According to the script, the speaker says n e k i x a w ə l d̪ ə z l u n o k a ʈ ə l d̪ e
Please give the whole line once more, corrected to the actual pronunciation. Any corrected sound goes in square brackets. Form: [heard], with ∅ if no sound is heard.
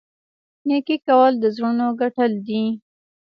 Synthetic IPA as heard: n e k i [k] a w ə l d̪ ə z [ɾ] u n o [ɡ] a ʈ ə l d̪ [i]